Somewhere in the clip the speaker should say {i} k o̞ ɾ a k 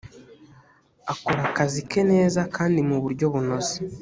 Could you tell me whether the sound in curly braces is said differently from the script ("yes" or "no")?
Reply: yes